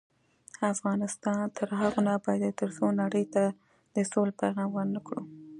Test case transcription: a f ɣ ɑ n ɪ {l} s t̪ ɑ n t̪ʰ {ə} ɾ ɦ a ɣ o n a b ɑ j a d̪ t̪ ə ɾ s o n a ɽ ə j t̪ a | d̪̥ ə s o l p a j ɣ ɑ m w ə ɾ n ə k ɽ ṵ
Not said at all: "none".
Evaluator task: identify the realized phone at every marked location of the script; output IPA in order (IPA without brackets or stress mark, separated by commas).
none, ə